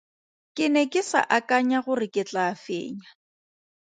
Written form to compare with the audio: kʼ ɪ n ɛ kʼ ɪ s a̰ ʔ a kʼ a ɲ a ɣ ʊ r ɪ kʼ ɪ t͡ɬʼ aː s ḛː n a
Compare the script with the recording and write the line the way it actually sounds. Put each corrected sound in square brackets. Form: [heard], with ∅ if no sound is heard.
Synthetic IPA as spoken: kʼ ɪ n ɛ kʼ ɪ s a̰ ʔ a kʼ a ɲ a ɣ ʊ r ɪ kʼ ɪ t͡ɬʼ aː [f] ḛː [ɲ] a